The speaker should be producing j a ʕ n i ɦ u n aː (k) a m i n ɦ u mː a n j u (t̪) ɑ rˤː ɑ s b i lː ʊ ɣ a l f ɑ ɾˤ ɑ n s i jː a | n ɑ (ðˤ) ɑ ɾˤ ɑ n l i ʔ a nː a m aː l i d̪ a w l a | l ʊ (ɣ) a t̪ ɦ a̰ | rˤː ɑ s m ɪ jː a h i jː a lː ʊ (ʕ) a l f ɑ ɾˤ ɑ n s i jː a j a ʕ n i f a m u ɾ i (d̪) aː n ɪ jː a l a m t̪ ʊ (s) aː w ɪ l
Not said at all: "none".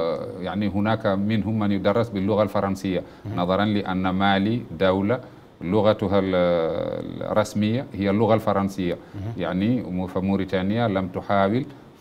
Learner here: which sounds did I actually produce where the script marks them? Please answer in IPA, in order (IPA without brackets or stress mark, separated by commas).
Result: k, d̪, ðˤ, ɣ, ɣ, t̪, ħ